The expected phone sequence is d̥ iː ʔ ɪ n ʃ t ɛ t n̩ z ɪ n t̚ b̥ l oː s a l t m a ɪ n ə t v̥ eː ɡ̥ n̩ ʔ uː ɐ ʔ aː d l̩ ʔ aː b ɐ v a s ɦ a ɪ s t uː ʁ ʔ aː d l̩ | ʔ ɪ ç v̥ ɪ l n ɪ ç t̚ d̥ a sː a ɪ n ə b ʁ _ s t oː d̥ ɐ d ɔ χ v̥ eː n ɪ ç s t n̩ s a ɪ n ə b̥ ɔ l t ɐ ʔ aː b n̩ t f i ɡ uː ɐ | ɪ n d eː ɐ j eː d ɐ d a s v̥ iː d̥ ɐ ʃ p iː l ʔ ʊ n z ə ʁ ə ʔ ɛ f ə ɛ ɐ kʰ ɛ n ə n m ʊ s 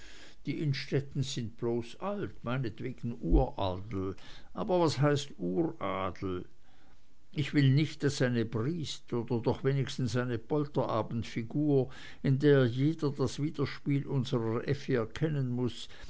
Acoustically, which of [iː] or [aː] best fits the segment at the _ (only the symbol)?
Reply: iː